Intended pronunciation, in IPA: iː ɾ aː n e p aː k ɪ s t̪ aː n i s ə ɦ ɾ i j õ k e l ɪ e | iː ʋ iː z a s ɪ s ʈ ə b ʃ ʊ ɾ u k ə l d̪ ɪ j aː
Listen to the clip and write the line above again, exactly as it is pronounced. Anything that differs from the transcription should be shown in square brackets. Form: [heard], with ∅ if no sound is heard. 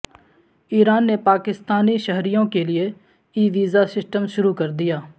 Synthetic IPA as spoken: iː ɾ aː [nː] e p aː k ɪ s t̪ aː n i [ʃ] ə ɦ ɾ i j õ k e l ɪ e | iː ʋ iː z a s ɪ s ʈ ə [m] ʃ ʊ ɾ u k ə [ɾ] d̪ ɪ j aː